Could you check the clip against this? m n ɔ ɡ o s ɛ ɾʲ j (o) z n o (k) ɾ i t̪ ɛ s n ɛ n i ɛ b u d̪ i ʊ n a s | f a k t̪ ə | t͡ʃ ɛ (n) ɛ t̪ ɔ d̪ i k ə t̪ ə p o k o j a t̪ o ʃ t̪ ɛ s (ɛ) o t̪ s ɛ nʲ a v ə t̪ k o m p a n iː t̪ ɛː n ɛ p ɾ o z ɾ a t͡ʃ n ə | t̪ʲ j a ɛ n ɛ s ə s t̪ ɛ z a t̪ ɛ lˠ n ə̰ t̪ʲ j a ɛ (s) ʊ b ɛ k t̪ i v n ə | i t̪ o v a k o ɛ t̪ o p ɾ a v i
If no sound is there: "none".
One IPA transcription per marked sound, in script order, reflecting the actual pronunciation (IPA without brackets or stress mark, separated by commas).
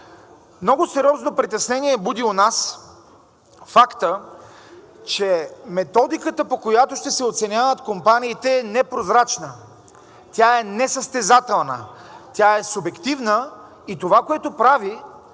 ɔ, p, m, ɛ, s